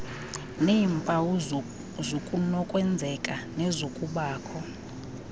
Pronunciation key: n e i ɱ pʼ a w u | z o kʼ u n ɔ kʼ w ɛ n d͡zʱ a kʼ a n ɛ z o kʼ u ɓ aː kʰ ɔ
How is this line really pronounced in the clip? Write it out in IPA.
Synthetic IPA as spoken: n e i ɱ pʼ a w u | z o kʼ u n ɔ kʼ w ɛ n d͡zʱ ɛ kʼ a n ɛ z o kʼ u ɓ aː kʰ ɔ